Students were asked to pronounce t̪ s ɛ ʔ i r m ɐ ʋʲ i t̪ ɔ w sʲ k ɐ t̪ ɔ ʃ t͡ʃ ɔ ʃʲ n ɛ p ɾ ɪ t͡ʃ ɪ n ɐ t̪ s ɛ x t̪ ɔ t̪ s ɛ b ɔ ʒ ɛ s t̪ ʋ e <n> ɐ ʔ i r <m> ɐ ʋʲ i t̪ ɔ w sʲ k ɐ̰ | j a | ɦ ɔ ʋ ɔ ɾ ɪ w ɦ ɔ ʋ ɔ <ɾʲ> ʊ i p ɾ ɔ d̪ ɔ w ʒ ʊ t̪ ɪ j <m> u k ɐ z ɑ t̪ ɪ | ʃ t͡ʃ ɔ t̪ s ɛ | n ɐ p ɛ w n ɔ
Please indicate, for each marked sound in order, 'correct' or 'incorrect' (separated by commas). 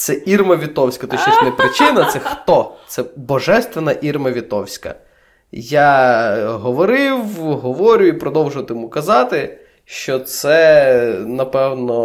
correct, correct, correct, correct